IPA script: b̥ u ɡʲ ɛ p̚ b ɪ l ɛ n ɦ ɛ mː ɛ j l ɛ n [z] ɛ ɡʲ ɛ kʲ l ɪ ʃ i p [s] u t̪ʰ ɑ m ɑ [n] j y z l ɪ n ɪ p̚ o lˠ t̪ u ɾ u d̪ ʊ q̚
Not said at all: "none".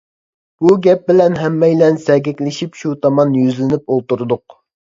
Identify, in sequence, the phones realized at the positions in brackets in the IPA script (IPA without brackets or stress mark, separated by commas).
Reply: s, ʃ, n